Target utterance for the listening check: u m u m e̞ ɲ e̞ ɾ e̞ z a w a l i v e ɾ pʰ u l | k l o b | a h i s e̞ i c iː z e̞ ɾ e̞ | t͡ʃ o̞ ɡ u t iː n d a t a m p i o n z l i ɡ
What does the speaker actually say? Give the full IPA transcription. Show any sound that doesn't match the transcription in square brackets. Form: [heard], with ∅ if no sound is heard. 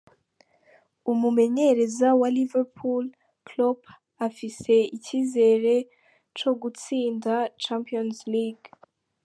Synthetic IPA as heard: u m u m e̞ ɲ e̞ ɾ e̞ z a w a l i v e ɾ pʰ u l | k l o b | a [f] i s e̞ i c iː z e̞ ɾ e̞ | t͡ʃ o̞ ɡ u [t͡s] iː n d a [t͡ʃ] a m p i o n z l i ɡ